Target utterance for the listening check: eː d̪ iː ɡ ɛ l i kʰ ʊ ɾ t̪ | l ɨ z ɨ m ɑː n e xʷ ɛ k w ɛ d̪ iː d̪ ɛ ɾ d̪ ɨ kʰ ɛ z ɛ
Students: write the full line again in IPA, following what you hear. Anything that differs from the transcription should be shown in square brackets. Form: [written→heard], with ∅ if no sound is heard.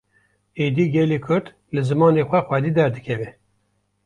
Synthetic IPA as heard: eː d̪ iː ɡ ɛ l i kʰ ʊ ɾ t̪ | l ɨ z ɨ m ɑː n e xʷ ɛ [k→x] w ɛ d̪ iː d̪ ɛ ɾ d̪ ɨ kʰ ɛ [z→v] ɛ